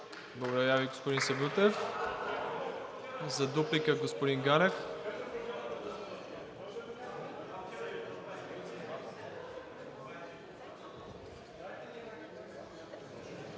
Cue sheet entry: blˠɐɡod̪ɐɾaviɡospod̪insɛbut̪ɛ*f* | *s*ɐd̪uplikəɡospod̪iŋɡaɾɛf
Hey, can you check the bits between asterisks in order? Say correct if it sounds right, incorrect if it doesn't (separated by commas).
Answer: correct, incorrect